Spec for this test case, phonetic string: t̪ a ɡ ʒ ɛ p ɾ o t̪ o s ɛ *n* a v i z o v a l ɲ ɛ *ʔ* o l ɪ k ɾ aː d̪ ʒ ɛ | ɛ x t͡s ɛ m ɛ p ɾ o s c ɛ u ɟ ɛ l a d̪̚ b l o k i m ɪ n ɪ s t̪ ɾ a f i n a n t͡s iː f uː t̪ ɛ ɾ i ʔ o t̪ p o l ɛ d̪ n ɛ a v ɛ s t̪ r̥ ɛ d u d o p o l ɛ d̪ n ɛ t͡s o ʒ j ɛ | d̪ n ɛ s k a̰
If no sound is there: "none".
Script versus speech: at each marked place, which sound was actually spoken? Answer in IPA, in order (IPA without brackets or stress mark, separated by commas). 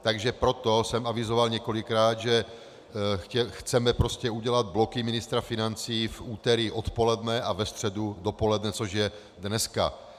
m, k